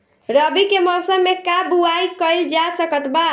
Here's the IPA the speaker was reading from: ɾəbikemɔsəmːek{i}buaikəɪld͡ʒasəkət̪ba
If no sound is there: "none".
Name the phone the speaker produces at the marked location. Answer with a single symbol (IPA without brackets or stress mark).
a